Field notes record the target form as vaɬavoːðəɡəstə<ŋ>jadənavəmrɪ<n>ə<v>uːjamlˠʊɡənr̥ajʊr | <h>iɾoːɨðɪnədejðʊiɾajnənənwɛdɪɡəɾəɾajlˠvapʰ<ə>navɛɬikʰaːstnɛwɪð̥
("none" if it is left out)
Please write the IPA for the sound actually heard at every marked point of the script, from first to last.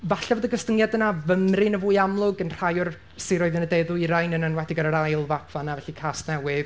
ŋ, n, v, s, a

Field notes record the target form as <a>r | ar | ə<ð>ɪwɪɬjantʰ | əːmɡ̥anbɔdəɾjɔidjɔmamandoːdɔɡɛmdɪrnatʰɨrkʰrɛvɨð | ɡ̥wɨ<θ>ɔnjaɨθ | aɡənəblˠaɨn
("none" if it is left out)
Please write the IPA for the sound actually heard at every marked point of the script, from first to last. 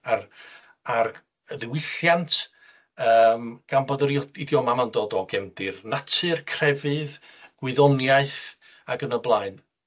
a, ð, ð

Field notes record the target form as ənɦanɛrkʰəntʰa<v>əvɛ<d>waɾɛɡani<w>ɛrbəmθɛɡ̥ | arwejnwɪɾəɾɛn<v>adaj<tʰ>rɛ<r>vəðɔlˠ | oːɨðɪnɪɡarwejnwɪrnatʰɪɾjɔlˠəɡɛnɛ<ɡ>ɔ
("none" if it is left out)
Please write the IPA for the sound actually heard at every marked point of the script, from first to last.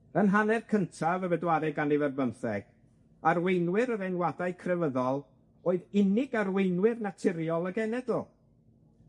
v, d, v, w, kʰ, none, d

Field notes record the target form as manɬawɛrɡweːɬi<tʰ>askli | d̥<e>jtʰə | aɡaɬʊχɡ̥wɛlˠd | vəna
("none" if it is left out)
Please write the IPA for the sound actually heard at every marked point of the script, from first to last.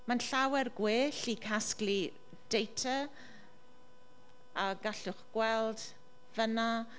kʰ, e

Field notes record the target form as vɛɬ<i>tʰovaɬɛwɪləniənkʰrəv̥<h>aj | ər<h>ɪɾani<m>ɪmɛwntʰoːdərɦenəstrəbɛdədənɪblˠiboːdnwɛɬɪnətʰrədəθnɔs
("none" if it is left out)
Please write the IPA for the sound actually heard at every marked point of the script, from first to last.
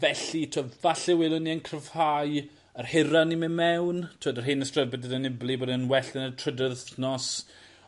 i, h, h, m

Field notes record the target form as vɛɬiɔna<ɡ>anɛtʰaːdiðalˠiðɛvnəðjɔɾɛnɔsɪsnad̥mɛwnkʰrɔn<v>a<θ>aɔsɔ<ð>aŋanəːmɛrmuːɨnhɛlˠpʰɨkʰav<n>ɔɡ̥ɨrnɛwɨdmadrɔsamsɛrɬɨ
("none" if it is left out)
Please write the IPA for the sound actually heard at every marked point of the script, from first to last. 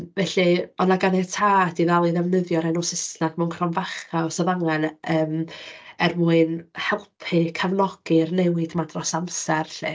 ɡ, v, χ, ð, n

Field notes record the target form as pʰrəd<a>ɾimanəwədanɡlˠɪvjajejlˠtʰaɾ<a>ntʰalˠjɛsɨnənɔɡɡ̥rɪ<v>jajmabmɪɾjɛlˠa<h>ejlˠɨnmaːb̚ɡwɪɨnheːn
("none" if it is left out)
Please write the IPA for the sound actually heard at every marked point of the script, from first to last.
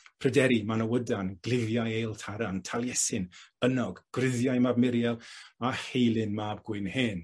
ɛ, a, ð, h

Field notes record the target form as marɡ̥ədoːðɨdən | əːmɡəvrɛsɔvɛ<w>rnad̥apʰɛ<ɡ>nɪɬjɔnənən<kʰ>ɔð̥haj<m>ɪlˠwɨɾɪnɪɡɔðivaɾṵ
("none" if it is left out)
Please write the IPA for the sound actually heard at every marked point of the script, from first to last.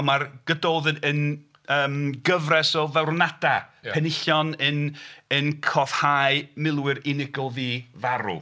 w, none, kʰ, m

